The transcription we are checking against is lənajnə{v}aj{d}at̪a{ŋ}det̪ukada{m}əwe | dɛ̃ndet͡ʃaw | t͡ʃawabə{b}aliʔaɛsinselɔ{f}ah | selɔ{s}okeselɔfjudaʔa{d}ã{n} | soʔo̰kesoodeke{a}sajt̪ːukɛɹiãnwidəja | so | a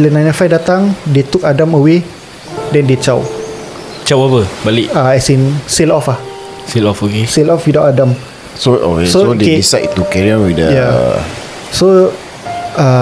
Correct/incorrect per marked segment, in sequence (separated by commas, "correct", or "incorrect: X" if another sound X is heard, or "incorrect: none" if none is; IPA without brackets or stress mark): incorrect: f, correct, correct, correct, correct, correct, incorrect: f, correct, incorrect: m, incorrect: i